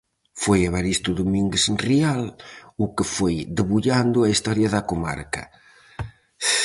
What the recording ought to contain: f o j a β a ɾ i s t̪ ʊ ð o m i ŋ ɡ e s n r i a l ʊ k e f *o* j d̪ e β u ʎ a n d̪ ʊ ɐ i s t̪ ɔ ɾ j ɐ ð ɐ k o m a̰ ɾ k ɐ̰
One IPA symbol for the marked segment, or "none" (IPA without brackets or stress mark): o